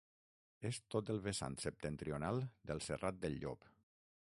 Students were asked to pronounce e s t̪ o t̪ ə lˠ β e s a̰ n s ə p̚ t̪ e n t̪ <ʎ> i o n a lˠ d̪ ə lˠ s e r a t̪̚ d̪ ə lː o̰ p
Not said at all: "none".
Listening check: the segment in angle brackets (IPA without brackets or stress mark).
ɾ